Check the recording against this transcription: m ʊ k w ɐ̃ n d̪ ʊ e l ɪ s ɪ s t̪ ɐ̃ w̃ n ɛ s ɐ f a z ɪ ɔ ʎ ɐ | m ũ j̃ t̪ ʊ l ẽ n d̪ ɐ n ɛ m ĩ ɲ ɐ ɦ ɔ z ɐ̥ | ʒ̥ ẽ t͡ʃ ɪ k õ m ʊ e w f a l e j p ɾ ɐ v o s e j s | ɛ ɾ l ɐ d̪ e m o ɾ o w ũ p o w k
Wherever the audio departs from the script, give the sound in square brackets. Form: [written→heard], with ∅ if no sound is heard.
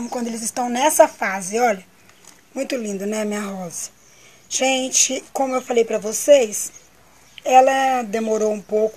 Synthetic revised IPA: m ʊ k w ɐ̃ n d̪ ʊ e l ɪ [s→z] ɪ s t̪ ɐ̃ w̃ n ɛ s ɐ f a z ɪ ɔ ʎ ɐ | m ũ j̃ t̪ ʊ l [ẽ→ĩ] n d̪ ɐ n ɛ m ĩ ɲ ɐ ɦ ɔ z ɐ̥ | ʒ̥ ẽ t͡ʃ ɪ k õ m ʊ e w f a l e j p ɾ ɐ v o s e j s | ɛ [ɾ→∅] l ɐ d̪ e m o ɾ o w ũ p o w k